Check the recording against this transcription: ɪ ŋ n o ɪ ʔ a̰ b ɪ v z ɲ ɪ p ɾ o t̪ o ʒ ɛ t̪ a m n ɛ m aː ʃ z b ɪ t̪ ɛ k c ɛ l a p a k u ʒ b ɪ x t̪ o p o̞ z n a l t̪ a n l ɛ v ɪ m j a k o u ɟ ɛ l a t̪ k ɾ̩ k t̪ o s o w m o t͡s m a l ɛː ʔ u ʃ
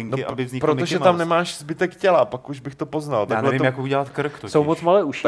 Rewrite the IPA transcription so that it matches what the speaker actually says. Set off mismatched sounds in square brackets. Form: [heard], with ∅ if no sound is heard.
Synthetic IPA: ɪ ŋ n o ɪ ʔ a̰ b ɪ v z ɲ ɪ p ɾ o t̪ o ʒ ɛ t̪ a m n ɛ m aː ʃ z b ɪ t̪ ɛ k c ɛ l a p a k u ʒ b ɪ x t̪ o p o̞ z n a l t̪ a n l ɛ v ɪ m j a k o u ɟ ɛ l a t̪ k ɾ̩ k t̪ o s o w m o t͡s m a l ɛː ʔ u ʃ